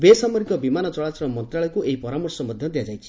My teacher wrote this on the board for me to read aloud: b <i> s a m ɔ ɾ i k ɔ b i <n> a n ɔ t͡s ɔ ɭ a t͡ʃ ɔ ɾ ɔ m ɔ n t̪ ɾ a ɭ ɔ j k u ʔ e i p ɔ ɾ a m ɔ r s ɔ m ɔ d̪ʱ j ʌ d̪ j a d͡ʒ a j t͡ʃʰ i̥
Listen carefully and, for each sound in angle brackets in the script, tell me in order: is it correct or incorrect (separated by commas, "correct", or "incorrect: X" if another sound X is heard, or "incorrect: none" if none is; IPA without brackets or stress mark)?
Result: incorrect: e, incorrect: m